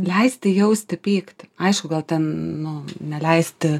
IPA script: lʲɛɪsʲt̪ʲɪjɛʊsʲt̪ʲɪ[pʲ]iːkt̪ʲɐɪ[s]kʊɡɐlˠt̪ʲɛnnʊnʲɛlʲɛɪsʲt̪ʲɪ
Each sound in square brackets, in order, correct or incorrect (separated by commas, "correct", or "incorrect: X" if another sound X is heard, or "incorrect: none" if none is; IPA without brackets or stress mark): correct, incorrect: ʃ